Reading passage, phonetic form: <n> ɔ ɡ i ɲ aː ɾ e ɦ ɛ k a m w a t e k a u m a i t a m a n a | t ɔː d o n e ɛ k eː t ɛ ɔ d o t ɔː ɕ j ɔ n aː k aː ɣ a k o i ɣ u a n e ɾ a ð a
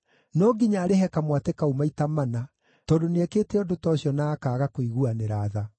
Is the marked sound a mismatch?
no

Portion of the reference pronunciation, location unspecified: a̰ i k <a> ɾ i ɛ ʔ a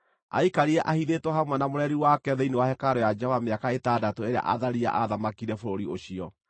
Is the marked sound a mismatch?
no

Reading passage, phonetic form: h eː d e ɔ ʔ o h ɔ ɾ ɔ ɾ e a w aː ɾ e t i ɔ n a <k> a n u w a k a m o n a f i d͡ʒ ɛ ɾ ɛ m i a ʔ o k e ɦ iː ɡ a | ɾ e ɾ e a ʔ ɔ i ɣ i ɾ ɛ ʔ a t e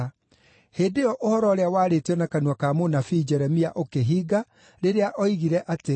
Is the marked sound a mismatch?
no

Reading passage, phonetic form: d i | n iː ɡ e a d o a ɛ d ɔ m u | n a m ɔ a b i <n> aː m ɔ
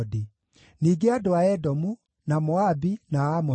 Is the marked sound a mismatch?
no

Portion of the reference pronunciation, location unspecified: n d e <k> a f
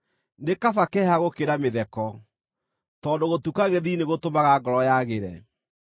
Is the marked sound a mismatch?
no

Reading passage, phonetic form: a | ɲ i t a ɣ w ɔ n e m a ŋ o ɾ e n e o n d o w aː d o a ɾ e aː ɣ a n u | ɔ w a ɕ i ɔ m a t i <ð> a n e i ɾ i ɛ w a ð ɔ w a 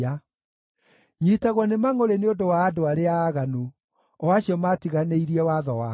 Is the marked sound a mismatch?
yes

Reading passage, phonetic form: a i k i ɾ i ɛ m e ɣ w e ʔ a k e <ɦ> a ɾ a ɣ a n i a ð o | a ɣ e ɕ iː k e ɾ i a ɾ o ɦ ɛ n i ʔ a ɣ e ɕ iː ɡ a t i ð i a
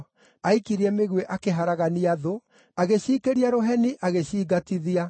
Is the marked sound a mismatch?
no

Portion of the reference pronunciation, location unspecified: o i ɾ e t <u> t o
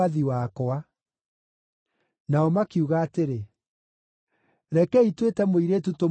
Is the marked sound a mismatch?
no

